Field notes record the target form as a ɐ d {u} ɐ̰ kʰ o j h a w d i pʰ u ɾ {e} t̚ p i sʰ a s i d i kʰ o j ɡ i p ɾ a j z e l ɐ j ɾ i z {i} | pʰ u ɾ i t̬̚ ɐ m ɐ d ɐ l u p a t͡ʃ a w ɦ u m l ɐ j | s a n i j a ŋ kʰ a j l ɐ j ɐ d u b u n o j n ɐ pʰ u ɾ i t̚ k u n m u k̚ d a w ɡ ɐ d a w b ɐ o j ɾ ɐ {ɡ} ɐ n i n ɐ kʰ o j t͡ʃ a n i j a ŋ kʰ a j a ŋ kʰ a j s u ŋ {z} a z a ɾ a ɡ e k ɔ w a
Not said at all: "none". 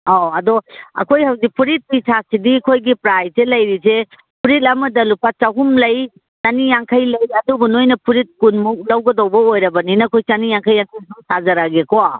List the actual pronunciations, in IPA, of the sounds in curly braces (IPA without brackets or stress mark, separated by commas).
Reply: ɔ, i, e, b, s